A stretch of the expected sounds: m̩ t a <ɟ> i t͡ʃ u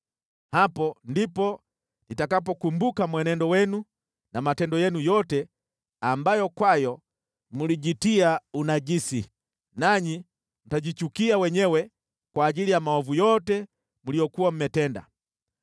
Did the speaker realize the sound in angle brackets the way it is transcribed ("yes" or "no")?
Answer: yes